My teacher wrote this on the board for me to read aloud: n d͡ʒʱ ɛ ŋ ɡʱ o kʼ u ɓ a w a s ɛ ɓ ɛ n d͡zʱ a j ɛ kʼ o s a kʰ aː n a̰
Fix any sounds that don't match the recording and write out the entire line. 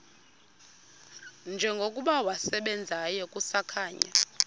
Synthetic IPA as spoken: n d͡ʒʱ ɛ ŋ ɡʱ o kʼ u ɓ a w a s ɛ ɓ ɛ n d͡zʱ a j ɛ kʼ u s a kʰ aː ɲ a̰